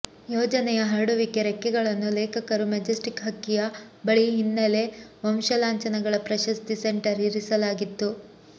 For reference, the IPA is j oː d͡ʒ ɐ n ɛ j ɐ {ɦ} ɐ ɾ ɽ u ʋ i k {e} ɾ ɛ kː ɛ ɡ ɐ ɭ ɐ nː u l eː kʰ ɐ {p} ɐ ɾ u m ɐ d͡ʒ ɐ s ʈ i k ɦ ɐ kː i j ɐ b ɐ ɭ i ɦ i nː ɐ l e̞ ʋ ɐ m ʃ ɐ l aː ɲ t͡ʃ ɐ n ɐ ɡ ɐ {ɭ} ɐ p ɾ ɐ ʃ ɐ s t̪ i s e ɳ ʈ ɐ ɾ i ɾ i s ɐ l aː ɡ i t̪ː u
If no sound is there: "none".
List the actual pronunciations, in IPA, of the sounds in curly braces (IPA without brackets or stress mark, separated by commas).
ɦ, e, k, ɭ